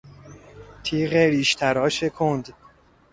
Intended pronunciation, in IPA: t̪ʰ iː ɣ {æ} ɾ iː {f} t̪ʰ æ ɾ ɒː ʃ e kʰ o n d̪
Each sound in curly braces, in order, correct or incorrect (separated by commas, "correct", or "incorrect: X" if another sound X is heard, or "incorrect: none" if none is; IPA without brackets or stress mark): incorrect: e, incorrect: ʃ